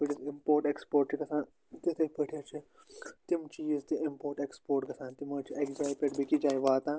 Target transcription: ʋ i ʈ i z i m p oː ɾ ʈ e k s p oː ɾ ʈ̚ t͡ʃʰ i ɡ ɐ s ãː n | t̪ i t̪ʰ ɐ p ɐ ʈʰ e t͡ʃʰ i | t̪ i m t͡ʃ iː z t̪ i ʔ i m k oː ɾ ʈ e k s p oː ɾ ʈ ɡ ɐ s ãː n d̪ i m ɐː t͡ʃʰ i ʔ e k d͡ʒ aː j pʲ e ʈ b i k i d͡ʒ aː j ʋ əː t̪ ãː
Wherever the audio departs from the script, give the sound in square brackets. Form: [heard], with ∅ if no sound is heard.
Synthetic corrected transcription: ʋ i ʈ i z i m p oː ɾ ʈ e k s p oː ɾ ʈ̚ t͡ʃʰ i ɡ ɐ s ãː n | t̪ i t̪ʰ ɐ p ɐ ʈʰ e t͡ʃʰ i | t̪ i m t͡ʃ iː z t̪ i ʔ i m [p] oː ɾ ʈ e k s p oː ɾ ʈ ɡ ɐ s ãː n [t̪] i m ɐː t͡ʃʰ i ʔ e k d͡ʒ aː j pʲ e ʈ b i k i d͡ʒ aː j ʋ [aː] t̪ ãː